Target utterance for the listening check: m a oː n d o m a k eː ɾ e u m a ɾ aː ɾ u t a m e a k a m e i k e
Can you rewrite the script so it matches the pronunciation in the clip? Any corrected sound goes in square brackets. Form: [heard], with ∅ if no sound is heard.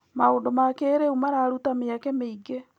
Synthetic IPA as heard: m a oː n d o m a k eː ɾ e u m a ɾ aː ɾ u t a m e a k [ɛ] m e i [ɡ] e

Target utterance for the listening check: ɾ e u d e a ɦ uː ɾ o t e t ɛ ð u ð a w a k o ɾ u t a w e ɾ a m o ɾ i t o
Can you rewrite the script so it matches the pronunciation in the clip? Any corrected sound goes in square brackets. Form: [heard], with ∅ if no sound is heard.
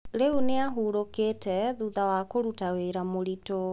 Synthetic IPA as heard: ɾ e u [n] e a ɦ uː ɾ o [k] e t ɛ ð u ð a w a k o ɾ u t a w e ɾ a m o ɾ i t o

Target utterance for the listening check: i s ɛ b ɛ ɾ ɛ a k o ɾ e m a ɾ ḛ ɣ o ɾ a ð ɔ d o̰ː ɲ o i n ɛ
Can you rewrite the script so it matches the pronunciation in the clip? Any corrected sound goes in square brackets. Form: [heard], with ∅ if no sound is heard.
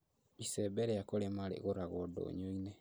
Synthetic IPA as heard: i s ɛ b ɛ ɾ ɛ a k o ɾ e m a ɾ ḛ ɣ o ɾ a [ɣ] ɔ d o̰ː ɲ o i n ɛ

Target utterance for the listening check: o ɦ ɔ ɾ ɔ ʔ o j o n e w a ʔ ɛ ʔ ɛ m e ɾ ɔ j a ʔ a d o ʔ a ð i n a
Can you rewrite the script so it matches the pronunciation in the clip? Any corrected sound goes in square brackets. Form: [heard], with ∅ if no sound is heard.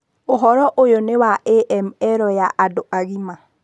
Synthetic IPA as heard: o ɦ ɔ ɾ ɔ ʔ o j o n e w a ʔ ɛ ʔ ɛ m [ɛ] ɾ ɔ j a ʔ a d o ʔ a [ɣ] i [m] a

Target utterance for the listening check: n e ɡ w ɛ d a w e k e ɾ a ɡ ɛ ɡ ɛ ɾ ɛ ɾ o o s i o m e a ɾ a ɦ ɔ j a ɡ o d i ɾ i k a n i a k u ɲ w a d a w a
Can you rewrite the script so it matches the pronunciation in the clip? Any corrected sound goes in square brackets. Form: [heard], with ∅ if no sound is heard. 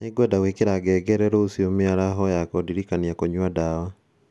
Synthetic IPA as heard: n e ɡ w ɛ d a w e k e ɾ a ɡ ɛ ɡ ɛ ɾ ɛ ɾ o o s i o m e a ɾ a ɦ ɔ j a [k] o d i ɾ i k a n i a k [o] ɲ w a d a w a

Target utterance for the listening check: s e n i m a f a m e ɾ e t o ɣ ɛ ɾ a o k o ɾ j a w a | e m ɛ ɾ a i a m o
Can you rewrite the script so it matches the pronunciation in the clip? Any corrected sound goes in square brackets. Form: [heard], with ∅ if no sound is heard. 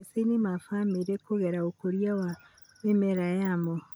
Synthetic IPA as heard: s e n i m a f a m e ɾ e [k] o ɣ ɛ ɾ a o k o ɾ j a w a | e m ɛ ɾ a [j] a m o

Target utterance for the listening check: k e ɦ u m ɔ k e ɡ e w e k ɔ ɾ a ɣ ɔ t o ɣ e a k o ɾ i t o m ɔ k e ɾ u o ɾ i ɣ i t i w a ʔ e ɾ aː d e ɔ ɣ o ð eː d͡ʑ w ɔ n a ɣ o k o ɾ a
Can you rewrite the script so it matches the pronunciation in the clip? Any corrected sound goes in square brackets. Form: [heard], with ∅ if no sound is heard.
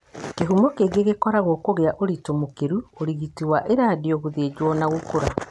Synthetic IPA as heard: k e ɦ u m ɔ k e ɡ e [ɣ] e k ɔ ɾ a ɣ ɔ [k] o ɣ e a [ʔ] o ɾ i t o m [o] k e ɾ u o ɾ i ɣ i t i w a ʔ e ɾ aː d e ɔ ɣ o ð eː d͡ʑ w ɔ n a ɣ o k o ɾ a

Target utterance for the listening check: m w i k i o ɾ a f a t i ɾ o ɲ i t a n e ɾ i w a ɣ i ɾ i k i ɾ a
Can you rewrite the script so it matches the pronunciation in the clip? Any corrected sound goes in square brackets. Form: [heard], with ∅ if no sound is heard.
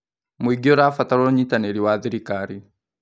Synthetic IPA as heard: m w i [ɡ] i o ɾ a f a t [a] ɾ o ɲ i t a n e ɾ i w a [ð] i ɾ i k [a] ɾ [i]

